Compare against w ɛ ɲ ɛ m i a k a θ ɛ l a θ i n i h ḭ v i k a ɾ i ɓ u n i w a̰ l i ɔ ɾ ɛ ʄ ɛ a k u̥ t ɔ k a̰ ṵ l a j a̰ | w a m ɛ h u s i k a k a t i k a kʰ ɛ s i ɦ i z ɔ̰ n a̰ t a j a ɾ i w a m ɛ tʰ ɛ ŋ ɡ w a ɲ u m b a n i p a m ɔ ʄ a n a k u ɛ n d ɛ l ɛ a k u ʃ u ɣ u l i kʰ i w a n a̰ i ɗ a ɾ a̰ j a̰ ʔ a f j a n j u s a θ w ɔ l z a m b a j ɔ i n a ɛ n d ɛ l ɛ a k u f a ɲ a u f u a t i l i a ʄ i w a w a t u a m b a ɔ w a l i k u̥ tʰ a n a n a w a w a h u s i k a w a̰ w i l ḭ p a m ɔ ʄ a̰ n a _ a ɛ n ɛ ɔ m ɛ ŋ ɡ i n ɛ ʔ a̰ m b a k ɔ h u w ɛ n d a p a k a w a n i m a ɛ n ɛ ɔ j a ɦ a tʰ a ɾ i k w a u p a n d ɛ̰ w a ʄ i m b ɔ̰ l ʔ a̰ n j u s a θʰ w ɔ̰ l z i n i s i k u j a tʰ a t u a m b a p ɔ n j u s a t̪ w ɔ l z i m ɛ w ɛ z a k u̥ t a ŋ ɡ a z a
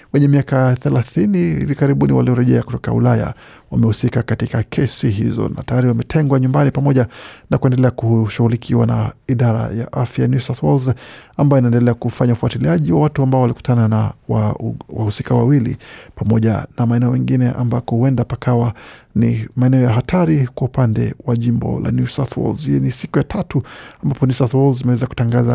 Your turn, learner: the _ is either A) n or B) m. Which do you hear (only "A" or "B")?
B